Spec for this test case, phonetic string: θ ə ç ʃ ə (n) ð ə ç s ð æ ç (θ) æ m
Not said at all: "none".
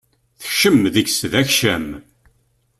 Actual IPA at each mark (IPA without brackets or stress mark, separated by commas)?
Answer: m, ʃ